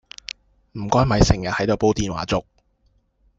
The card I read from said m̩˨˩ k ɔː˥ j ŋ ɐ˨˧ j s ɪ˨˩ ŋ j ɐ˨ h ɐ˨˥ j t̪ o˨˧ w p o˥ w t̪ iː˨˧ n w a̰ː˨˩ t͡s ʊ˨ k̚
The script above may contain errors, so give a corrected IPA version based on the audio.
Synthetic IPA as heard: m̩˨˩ k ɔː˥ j m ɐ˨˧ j s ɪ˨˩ ŋ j ɐ˨ h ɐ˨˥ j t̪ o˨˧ w p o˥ w t̪ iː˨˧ n w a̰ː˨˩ t͡s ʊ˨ k̚

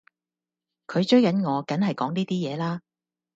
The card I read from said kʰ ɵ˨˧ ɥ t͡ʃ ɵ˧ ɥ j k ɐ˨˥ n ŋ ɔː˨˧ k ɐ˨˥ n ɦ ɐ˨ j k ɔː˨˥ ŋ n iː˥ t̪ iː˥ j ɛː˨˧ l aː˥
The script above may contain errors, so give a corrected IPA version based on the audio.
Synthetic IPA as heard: kʰ ɵ˨˧ ɥ t͡ʃ ɵ˥ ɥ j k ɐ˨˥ n ŋ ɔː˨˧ k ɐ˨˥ n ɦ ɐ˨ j k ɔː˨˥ ŋ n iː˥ t̪ iː˥ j ɛː˨˧ l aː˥

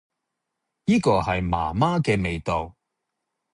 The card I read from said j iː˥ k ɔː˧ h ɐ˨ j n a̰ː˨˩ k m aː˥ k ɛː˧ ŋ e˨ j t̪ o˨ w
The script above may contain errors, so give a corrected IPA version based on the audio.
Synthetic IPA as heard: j iː˥ k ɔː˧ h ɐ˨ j m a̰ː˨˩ m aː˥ k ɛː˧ m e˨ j t̪ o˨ w

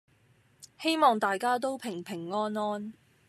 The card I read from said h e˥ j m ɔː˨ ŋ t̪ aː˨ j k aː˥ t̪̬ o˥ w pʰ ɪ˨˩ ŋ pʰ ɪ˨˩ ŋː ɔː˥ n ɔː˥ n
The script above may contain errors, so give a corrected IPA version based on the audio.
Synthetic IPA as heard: h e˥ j m ɔː˨ ŋ t̪ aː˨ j k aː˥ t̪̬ o˥ w pʰ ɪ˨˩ ŋ pʰ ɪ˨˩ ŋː ɔː˥ n ɔː˥ n

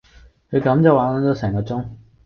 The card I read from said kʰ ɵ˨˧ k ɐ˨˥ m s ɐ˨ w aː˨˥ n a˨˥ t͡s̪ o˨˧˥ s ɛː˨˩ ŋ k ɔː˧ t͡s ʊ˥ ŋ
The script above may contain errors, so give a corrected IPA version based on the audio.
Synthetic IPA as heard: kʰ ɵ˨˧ k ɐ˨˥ m t͡s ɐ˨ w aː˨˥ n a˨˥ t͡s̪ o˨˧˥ s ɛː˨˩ ŋ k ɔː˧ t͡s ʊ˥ ŋ

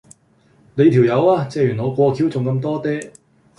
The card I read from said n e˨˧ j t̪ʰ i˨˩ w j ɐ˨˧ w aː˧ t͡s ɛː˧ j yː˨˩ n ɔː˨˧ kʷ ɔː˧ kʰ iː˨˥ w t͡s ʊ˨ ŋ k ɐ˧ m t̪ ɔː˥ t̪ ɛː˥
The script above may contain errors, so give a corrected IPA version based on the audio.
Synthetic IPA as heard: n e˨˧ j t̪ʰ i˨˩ w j ɐ˨˧ w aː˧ t͡s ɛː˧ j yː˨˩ n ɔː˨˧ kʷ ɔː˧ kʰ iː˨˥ w t͡s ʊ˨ ŋ k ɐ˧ m t̪ ɔː˥ t̪ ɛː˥

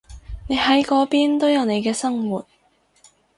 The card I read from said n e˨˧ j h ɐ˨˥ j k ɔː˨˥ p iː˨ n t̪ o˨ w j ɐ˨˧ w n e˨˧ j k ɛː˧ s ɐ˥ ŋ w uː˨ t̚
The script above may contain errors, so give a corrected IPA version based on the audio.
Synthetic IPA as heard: n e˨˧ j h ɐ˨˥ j k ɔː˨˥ p iː˥ n t̪ o˥ w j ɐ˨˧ w n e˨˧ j k ɛː˧ s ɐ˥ ŋ w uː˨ t̚

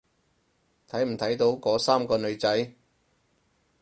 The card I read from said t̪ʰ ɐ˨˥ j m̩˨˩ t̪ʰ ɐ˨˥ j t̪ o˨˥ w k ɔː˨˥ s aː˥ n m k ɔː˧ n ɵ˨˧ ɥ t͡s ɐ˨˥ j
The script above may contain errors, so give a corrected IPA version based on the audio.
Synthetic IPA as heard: t̪ʰ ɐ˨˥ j m̩˨˩ t̪ʰ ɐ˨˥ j t̪ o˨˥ w k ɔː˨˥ s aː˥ m k ɔː˧ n ɵ˨˧ ɥ t͡s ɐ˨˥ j

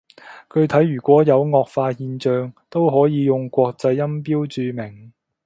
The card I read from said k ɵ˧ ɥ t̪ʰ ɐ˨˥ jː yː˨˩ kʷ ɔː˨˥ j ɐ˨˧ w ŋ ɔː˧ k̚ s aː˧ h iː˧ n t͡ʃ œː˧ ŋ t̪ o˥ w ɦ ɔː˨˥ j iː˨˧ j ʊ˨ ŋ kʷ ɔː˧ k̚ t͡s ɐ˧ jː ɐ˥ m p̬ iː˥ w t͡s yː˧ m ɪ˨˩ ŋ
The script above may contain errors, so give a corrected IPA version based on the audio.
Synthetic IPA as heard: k ɵ˧ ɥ t̪ʰ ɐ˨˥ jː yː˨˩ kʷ ɔː˨˥ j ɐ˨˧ w ŋ ɔː˧ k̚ f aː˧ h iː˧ n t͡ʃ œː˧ ŋ t̪ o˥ w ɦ ɔː˨˥ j iː˨˧ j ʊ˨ ŋ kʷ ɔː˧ k̚ t͡s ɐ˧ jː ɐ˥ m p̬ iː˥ w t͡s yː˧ m ɪ˨˩ ŋ

